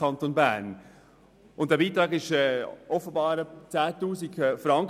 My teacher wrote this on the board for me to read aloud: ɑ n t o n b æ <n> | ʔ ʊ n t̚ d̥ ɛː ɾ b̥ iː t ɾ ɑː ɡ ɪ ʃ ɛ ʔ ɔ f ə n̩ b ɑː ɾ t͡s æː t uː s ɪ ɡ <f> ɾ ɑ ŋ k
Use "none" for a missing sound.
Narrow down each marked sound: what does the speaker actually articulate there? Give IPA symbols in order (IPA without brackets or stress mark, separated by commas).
n, f